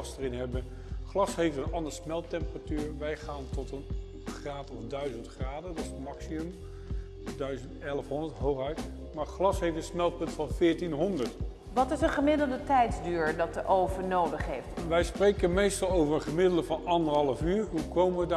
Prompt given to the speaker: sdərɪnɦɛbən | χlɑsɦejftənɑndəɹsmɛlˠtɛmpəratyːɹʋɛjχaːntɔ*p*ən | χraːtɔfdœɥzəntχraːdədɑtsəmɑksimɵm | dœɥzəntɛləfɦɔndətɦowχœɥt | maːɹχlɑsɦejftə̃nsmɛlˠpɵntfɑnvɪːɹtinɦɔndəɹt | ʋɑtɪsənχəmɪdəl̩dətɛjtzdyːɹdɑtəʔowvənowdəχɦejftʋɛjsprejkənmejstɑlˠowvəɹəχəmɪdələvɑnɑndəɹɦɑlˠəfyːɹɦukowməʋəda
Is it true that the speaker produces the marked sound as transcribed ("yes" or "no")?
no